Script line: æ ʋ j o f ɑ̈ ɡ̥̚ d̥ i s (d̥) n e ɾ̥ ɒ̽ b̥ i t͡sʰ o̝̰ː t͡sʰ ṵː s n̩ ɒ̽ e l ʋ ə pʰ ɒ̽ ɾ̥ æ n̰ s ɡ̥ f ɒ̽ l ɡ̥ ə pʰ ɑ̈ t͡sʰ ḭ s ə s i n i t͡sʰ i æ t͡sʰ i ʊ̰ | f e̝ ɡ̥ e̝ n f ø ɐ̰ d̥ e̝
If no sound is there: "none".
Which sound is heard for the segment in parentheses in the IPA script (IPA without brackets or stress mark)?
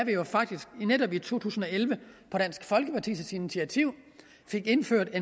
ɡ̥